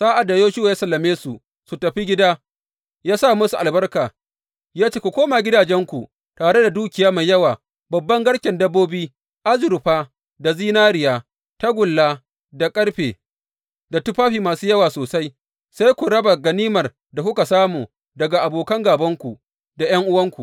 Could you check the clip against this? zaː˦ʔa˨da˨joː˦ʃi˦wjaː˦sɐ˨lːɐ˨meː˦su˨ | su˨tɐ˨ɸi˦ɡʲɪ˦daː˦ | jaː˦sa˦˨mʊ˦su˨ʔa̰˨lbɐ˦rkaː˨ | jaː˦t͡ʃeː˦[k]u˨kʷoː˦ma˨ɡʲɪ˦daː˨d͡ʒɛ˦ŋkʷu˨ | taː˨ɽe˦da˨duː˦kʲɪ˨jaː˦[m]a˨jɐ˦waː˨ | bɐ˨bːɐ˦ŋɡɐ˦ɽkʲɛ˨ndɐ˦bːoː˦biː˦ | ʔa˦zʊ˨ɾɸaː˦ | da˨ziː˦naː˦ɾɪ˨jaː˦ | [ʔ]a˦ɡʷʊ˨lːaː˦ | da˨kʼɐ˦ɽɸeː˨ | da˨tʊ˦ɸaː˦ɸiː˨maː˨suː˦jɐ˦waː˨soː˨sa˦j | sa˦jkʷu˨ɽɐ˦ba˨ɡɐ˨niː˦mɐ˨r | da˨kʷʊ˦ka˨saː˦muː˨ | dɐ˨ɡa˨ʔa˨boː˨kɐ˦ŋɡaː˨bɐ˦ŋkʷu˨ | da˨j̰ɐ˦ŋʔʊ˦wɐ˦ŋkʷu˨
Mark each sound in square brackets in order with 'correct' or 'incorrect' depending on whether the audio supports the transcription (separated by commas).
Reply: correct, correct, incorrect